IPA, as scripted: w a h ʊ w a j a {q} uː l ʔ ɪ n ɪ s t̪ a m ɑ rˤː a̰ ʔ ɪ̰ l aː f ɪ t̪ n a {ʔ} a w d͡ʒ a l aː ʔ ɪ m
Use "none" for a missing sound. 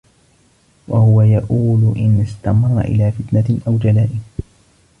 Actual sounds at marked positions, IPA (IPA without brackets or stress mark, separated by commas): ʔ, ʔ